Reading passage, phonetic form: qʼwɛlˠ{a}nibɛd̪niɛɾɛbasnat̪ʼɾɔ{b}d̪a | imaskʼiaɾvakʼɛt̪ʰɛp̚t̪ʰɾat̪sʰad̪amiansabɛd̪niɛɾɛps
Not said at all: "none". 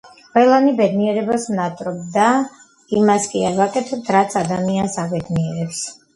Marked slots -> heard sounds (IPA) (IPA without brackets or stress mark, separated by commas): a, b